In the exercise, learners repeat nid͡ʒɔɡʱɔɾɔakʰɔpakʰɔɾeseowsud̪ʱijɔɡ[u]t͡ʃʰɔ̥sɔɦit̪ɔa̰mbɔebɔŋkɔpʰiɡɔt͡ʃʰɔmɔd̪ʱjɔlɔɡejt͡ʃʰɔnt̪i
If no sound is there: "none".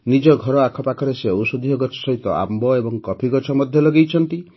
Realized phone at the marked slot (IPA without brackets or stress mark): ɔ